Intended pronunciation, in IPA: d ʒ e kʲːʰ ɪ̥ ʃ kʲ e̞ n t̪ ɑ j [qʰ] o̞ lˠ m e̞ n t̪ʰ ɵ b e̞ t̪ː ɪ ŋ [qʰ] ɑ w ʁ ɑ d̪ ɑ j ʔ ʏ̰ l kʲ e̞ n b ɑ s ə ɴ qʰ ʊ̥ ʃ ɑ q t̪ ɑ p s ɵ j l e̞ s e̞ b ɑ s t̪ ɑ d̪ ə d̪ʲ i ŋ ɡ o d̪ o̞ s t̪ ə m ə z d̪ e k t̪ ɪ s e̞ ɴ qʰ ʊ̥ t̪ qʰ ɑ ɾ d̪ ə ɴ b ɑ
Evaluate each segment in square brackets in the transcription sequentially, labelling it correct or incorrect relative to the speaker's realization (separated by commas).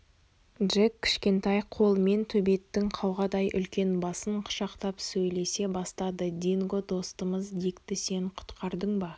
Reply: correct, correct